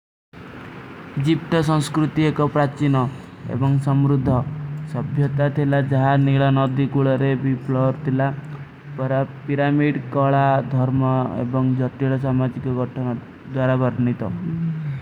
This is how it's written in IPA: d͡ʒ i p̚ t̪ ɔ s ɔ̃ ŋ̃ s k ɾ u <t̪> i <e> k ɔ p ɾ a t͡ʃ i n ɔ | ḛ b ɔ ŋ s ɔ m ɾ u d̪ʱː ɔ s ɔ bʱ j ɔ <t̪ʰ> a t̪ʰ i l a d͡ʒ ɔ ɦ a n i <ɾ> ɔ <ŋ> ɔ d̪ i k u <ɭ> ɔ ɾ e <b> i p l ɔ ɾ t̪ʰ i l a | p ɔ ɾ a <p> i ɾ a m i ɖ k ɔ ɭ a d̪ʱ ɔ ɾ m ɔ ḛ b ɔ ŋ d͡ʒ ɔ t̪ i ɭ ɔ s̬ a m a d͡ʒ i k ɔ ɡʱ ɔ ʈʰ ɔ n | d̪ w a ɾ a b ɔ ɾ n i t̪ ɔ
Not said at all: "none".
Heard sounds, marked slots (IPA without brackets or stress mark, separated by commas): t̪, e, t̪, ɭ, n, ɭ, b, p